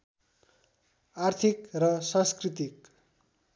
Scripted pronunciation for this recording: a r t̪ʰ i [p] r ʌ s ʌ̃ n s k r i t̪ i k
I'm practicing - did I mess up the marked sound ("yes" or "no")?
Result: yes